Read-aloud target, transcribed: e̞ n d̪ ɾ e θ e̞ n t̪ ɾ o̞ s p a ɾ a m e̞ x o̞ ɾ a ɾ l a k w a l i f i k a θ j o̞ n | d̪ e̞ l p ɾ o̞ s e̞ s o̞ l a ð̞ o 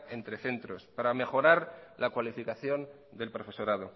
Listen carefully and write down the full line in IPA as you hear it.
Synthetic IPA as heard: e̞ n t̪ ɾ e θ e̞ n t̪ ɾ o̞ s p a ɾ a m e̞ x o̞ ɾ a ɾ l a k w a l i f i k a θ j o̞ n | d̪ e̞ l p ɾ o̞ f e̞ s o̞ ɾ a ð̞ o